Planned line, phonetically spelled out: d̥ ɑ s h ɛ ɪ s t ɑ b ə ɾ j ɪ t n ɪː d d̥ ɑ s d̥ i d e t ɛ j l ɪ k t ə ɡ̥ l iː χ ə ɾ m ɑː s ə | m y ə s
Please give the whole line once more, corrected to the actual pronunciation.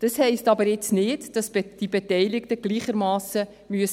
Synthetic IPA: d̥ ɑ s h ɛ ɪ s t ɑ b ə ɾ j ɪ t͡s n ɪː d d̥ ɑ s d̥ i b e t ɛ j l ɪ k t ə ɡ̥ l iː χ ə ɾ m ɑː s ə | m y ə s